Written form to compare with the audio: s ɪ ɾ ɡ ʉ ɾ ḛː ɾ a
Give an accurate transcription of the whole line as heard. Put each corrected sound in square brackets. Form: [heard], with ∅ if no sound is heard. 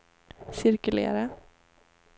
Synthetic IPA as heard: s ɪ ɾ [k] ʉ [l] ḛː ɾ [ə]